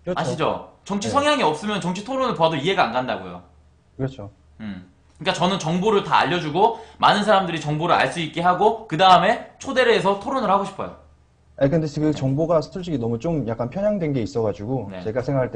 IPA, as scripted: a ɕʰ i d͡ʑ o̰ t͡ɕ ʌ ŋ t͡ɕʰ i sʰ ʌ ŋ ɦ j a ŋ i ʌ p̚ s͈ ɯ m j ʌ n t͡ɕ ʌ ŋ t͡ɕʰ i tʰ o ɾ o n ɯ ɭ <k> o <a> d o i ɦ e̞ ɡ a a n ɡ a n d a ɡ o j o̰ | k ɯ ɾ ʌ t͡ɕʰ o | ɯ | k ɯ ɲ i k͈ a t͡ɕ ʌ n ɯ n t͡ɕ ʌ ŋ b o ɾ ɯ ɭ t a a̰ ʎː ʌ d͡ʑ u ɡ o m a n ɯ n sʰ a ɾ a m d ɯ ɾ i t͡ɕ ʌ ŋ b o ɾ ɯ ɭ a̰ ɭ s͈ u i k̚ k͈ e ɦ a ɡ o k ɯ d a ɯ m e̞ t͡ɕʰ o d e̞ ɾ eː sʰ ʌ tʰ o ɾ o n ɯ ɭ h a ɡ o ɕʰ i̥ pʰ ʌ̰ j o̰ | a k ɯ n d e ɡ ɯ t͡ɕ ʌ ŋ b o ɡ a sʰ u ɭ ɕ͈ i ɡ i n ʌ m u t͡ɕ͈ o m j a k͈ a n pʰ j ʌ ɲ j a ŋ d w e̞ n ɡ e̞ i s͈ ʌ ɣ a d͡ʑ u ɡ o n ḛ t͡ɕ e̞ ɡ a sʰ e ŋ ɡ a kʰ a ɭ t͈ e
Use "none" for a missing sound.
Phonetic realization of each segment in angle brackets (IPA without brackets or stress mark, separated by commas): p, a